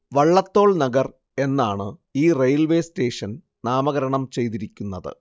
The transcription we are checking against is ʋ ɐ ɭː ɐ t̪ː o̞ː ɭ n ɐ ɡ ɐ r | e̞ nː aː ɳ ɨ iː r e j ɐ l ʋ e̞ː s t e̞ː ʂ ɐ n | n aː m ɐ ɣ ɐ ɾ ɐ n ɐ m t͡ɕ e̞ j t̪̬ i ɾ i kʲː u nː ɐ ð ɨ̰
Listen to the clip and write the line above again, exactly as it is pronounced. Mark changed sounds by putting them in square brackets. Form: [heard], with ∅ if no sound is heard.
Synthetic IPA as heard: ʋ ɐ ɭː ɐ t̪ː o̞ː ɭ n ɐ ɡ ɐ r | e̞ nː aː ɳ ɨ iː r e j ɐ l ʋ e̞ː s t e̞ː ʂ ɐ n | n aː m ɐ ɣ ɐ ɾ ɐ [ɳ] ɐ m t͡ɕ e̞ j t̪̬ i ɾ i kʲː u nː ɐ ð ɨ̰